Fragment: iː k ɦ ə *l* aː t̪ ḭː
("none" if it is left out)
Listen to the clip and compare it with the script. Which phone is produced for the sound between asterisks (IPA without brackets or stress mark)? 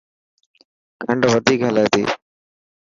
l